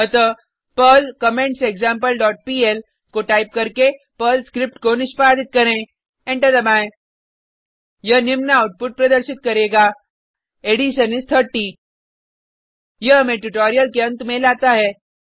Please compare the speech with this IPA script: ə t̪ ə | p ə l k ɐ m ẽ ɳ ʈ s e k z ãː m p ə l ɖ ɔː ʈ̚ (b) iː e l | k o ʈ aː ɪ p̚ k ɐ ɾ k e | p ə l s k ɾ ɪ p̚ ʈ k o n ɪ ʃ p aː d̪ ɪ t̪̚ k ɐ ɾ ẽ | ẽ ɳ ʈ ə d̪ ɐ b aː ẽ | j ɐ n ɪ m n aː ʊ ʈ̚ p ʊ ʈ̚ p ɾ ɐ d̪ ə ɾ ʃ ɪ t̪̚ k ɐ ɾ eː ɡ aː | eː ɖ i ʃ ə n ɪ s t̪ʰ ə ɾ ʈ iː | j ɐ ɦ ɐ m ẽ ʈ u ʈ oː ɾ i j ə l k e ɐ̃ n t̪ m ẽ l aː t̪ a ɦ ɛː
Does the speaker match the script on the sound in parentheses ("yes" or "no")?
no